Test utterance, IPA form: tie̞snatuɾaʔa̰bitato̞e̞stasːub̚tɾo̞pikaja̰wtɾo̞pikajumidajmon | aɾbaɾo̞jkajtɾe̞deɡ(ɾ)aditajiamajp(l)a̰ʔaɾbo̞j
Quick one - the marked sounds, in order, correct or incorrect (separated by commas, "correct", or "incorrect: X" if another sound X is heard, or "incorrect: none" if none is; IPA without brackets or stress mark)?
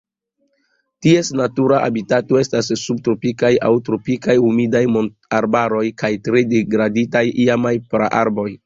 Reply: correct, incorrect: ɾ